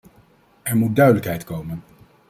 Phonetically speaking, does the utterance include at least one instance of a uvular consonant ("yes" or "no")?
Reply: no